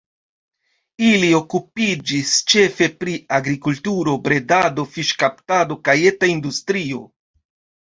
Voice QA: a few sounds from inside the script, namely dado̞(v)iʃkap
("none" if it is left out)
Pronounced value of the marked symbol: f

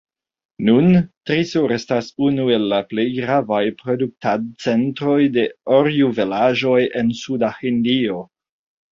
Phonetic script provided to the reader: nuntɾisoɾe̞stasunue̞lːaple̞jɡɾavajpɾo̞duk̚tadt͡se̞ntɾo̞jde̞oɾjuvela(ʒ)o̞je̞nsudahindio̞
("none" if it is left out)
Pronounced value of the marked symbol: ʒ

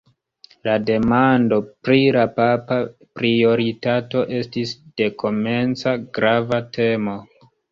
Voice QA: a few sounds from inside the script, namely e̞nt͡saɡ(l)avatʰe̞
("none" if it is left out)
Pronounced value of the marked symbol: ɾ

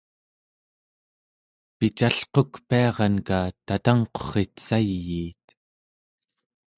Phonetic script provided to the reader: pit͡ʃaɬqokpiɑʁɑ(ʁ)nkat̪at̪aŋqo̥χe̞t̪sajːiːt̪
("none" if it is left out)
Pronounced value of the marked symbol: none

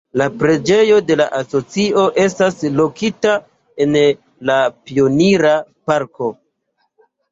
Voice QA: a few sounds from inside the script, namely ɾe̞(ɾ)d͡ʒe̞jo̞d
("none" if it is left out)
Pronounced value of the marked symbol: none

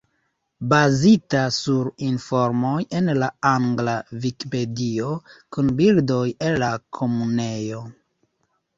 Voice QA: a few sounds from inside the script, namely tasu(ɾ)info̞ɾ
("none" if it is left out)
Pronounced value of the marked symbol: ɾ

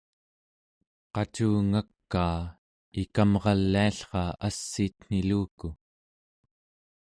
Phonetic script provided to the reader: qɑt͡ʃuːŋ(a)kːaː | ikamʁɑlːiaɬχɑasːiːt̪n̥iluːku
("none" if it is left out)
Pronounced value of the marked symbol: a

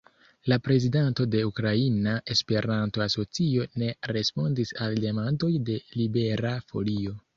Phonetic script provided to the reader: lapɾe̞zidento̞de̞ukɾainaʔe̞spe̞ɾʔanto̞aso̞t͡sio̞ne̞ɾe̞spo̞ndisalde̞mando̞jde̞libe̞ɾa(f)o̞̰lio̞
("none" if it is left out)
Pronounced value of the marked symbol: f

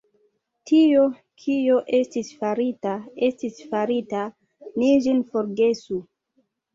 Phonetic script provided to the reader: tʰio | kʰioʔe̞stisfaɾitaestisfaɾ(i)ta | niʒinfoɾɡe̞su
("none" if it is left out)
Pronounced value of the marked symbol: i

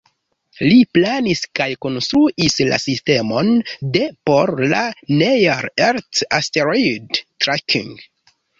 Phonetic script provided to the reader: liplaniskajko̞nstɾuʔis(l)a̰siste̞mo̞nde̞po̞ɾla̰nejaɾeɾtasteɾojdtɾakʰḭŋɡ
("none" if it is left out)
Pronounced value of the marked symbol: l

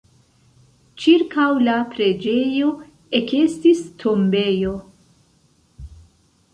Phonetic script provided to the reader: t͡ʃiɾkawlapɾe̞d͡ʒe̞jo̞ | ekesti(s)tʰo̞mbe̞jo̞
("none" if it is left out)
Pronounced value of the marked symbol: s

